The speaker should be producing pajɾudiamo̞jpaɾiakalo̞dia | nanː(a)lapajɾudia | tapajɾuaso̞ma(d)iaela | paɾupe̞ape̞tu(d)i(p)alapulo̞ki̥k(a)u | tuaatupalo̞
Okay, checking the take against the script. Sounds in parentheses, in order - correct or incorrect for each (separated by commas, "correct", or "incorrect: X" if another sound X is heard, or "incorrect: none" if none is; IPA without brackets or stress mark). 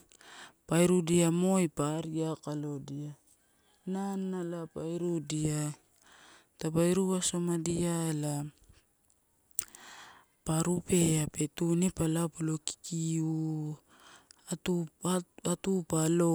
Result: correct, correct, incorrect: n, correct, incorrect: i